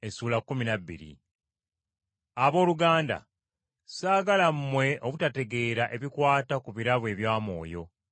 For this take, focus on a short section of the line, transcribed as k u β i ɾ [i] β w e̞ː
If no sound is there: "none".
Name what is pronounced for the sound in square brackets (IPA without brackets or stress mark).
a